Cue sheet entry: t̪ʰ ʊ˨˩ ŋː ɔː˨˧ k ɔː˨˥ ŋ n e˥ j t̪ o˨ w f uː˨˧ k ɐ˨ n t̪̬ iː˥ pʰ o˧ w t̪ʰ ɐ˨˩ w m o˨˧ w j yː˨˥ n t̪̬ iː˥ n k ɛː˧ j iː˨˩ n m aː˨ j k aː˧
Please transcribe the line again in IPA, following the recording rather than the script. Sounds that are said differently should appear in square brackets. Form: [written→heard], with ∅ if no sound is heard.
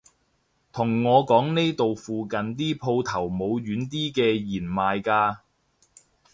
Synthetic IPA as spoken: t̪ʰ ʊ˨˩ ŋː ɔː˨˧ k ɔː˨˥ ŋ n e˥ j t̪ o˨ w f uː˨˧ k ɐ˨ n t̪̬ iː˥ pʰ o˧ w t̪ʰ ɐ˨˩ w m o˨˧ w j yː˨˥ n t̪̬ iː˥ [n→∅] k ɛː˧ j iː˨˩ n m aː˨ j k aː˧